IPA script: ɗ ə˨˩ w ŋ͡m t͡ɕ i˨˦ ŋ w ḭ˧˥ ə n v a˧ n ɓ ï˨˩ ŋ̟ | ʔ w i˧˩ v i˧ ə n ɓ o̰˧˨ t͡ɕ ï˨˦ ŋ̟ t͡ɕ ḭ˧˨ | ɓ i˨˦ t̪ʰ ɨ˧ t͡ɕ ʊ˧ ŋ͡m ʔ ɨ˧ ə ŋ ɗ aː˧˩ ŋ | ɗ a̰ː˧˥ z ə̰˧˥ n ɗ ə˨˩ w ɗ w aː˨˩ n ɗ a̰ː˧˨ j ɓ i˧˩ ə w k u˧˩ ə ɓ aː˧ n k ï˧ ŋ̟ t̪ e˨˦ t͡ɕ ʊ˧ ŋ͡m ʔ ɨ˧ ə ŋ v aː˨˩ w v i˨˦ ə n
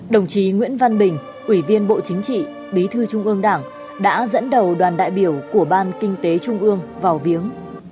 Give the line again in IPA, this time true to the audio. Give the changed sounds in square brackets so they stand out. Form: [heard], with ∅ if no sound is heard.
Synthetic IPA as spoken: ɗ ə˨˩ w ŋ͡m t͡ɕ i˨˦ ŋ w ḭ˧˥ ə n v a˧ n ɓ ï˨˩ ŋ̟ | ʔ w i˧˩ v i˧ ə n ɓ o̰˧˨ t͡ɕ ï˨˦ ŋ̟ t͡ɕ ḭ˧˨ | ɓ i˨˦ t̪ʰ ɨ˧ t͡ɕ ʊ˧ ŋ͡m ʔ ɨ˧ ə ŋ ɗ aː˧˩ ŋ | ɗ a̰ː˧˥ z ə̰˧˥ n ɗ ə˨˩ w ɗ w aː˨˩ n ɗ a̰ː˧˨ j ɓ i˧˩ ə w k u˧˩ ə ɓ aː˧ n k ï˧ ŋ̟ t̪ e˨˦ t͡ɕ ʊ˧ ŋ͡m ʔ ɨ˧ ə ŋ v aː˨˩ w v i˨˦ ə [ŋ]